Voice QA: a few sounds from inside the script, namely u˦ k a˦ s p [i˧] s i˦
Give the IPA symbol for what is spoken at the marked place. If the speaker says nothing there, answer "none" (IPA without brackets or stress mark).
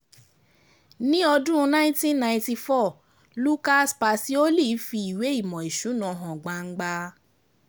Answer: a˧